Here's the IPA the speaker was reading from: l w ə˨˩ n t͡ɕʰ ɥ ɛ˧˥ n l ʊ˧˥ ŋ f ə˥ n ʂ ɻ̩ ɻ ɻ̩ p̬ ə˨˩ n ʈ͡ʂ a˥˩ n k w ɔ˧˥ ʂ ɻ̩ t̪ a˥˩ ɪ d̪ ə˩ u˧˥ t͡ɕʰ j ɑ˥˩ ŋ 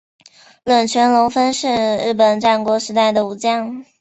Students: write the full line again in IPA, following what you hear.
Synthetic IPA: l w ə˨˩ n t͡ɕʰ ɥ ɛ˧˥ n l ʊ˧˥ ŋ f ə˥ n ʂ ɻ̩ ɻ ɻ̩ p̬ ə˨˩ n ʈ͡ʂ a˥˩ n k w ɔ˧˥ ʂ ɻ̩ t̪ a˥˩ ɪ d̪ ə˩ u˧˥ t͡ɕ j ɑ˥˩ ŋ